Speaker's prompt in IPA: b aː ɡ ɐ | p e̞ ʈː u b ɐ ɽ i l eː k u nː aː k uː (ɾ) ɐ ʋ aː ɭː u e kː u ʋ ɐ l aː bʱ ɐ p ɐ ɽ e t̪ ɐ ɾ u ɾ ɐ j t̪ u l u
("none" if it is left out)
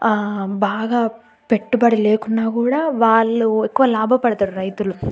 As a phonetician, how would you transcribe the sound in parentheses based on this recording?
ɽ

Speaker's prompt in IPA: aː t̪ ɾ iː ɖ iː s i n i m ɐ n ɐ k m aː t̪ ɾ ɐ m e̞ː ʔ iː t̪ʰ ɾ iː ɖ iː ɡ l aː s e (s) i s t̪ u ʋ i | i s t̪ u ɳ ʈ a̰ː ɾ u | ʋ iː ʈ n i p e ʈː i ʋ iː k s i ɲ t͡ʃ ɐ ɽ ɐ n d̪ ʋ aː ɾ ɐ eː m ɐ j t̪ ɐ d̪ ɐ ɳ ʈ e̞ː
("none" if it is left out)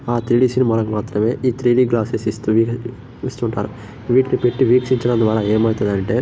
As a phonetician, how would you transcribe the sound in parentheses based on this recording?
s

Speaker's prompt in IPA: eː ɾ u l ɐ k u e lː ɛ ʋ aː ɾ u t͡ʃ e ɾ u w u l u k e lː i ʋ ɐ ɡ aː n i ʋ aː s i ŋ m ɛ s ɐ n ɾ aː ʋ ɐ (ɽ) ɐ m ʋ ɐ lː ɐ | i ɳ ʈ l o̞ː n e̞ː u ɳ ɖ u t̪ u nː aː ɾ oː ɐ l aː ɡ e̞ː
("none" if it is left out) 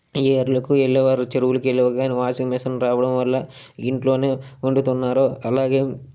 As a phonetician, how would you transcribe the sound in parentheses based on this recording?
ɽ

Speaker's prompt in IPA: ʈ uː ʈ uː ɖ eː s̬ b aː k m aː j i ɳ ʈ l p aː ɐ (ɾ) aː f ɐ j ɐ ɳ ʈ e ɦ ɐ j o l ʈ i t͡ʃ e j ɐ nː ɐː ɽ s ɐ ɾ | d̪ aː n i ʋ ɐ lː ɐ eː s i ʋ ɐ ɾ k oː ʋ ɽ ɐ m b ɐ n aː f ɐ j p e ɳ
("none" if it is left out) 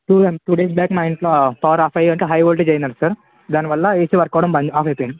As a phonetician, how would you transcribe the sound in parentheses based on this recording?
ɾ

